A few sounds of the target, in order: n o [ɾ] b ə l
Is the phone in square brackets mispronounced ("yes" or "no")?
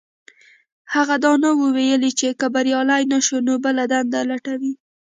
yes